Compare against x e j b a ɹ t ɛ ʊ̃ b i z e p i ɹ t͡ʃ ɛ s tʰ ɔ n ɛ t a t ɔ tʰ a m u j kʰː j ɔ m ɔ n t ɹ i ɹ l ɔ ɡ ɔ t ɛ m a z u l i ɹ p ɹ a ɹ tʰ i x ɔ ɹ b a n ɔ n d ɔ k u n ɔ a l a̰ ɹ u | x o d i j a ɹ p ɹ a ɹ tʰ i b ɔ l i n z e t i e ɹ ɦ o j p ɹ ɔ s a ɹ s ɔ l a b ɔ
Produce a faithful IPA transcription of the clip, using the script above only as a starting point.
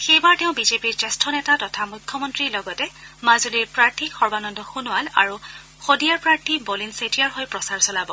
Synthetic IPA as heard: x e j b a ɹ t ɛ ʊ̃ b i z e p i ɹ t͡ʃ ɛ s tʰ ɔ n ɛ t a t ɔ tʰ a m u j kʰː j ɔ m ɔ n t ɹ i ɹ l ɔ ɡ ɔ t ɛ m a z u l i ɹ p ɹ a ɹ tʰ i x ɔ ɹ b a n ɔ n d ɔ x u n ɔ a l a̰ ɹ u | x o d i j a ɹ p ɹ a ɹ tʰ i b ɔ l i n s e t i a ɹ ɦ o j p ɹ ɔ s a ɹ s ɔ l a b ɔ